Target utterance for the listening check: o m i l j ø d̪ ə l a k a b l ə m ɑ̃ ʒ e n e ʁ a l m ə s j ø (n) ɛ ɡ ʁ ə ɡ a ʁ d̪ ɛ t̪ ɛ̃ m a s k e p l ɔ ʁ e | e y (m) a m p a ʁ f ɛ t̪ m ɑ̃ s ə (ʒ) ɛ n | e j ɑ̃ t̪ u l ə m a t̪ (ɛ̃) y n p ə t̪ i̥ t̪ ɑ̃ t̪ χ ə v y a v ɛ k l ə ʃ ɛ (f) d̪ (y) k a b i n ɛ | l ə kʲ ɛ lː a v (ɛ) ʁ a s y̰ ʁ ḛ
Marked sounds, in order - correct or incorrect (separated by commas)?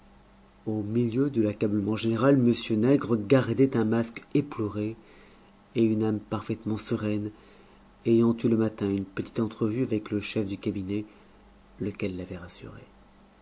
correct, incorrect, incorrect, correct, correct, correct, correct